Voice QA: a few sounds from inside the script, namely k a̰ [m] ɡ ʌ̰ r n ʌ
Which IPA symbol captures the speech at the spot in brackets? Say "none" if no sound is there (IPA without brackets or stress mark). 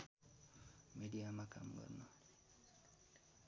m